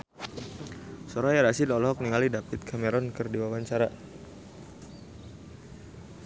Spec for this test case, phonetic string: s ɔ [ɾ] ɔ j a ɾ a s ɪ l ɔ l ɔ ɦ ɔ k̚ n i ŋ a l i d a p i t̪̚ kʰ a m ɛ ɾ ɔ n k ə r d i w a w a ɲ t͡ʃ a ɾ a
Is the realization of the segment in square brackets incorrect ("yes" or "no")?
no